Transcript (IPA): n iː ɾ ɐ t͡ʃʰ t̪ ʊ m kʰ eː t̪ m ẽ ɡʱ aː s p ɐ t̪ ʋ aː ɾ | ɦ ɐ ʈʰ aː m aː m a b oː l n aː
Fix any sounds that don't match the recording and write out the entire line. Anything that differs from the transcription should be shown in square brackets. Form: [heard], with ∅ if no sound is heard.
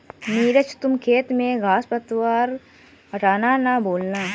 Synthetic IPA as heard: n iː ɾ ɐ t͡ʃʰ t̪ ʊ m kʰ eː t̪ m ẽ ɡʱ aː s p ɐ t̪ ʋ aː ɾ | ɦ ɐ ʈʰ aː [n] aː [n] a b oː l n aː